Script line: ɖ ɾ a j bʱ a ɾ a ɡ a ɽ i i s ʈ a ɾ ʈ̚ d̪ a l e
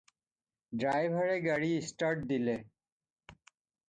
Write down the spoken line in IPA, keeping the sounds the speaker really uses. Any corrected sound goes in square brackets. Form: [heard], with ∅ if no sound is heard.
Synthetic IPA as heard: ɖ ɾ a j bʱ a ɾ [e] ɡ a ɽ i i s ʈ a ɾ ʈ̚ d̪ [i] l e